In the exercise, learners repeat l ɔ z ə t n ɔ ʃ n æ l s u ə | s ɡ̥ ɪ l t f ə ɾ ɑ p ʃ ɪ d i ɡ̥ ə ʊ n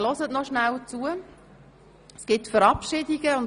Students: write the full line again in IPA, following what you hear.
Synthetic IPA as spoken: l ɔ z ə t n ɔ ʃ n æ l t͡s u ə | s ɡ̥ ɪ t f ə ɾ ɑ p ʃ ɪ d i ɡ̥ ə ʊ n